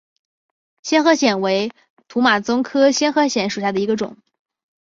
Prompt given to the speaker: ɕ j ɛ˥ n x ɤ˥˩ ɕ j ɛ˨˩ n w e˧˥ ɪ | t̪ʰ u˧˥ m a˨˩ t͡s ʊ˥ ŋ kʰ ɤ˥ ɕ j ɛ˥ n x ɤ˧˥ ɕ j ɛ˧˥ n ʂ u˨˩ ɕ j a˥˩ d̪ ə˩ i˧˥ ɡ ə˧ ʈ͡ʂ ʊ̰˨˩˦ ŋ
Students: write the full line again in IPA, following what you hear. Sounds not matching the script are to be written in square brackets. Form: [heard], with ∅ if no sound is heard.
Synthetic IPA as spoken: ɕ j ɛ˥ n x [ɤ˧˥] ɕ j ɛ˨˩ n w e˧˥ ɪ | t̪ʰ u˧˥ m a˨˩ t͡s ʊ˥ ŋ kʰ ɤ˥ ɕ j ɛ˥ n x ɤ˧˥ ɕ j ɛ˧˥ n ʂ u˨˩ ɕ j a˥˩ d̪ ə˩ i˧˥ ɡ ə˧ ʈ͡ʂ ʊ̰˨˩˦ ŋ